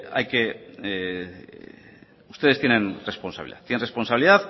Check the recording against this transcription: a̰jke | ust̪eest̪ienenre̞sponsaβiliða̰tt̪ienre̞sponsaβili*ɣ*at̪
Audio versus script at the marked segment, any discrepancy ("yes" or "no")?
yes